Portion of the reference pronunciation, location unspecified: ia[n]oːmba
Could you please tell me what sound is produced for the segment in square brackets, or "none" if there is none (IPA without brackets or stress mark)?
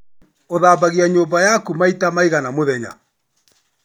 ɲ